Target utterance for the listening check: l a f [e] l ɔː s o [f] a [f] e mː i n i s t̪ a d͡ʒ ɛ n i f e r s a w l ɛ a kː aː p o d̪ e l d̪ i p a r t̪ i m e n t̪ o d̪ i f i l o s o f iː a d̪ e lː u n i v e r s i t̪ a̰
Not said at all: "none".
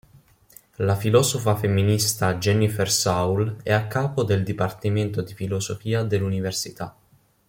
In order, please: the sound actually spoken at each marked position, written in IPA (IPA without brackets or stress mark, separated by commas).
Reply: i, f, f